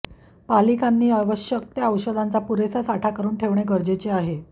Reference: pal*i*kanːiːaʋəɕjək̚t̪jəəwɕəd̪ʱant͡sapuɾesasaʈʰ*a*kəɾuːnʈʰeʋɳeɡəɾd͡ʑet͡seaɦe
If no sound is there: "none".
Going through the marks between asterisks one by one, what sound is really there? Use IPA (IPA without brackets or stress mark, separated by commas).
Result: i, a